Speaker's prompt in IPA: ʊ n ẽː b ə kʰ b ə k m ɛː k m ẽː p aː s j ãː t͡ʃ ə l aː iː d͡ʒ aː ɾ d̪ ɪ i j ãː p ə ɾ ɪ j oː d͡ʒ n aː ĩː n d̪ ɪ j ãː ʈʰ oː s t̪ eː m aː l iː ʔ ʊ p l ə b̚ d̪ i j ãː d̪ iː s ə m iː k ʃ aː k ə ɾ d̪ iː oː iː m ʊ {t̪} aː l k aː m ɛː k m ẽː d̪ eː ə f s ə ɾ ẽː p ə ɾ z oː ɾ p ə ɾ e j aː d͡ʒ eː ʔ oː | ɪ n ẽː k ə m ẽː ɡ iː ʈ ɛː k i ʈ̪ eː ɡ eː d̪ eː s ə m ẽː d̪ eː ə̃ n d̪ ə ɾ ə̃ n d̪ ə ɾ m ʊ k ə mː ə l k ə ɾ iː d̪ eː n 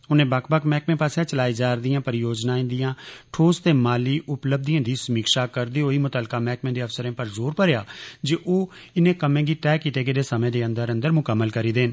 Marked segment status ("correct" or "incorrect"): correct